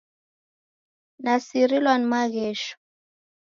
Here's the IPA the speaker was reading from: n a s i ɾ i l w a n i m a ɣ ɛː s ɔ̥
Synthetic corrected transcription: n a s i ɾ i l w a n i m a ɣ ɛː ʃ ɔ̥

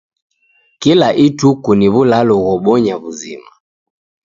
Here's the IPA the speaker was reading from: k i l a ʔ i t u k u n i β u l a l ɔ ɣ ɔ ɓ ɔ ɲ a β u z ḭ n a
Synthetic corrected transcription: k i l a ʔ i t u k u n i β u l a l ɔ ɣ ɔ ɓ ɔ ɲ a β u z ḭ m a

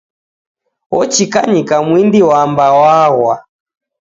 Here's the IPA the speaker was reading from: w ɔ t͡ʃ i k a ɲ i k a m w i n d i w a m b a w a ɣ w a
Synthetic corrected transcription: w ɔ t͡ʃ i k a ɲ i k a m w i n d i w a m b a w a ɣ w a

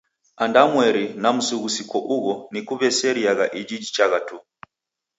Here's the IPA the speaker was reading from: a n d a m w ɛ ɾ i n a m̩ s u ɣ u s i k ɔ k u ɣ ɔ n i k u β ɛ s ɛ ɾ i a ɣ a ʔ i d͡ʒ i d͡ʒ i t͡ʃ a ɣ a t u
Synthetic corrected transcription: a n d a m w ɛ ɾ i n a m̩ s u ɣ u s i k ɔ ʔ u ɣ ɔ n i k u β ɛ s ɛ ɾ i a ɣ a ʔ i d͡ʒ i d͡ʒ i t͡ʃ a ɣ a t u

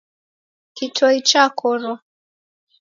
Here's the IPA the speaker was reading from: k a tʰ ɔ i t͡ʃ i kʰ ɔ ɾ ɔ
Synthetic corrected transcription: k i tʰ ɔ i t͡ʃ a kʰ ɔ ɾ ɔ

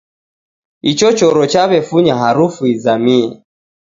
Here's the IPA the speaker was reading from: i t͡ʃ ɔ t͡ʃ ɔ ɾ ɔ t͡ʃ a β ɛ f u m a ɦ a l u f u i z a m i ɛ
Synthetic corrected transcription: i t͡ʃ ɔ t͡ʃ ɔ ɾ ɔ t͡ʃ a β ɛ f u ɲ a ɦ a ɾ u f u i z a m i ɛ

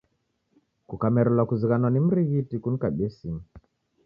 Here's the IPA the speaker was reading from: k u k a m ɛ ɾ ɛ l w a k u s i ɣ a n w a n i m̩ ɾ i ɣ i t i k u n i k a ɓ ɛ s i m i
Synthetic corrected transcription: k u k a m ɛ ɾ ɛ l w a k u z i ɣ a n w a n i m̩ ɾ i ɣ i t i k u n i k a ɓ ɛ s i m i

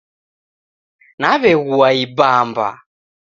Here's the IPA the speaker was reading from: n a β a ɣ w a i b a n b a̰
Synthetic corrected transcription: n a β ɛ ɣ u a i b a m b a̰

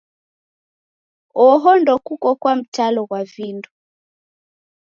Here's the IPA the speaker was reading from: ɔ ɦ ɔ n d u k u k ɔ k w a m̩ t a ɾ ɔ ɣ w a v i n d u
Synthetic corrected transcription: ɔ ɦ ɔ n d ɔ k u k ɔ k w a m̩ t a l ɔ ɣ w a v i n d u

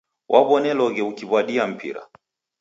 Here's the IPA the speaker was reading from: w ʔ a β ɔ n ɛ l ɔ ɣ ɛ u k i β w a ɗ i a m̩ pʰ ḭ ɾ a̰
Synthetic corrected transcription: w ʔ a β ɔ n ɛ l ɔ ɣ ɛ u k i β w a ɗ i a m̩ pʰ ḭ ɾ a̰

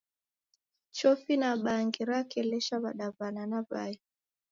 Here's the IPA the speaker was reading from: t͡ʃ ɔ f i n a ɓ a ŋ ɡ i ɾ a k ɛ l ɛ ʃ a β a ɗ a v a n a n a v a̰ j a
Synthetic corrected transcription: t͡ʃ ɔ f i n a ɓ a ŋ ɡ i ɾ a k ɛ l ɛ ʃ a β a ɗ a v a n a n a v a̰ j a

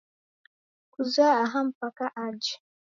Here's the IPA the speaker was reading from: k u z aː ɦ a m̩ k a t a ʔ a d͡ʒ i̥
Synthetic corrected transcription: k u z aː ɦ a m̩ p a k a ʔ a d͡ʒ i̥

